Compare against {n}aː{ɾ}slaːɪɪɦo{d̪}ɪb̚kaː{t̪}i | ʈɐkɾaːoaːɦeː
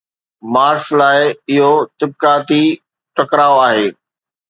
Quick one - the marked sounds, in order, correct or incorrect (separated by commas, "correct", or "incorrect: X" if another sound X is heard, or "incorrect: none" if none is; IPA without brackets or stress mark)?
incorrect: m, correct, incorrect: t̪, correct